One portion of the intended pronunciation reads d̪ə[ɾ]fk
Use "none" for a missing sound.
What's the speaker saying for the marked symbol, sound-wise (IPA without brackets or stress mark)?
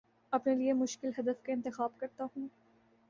none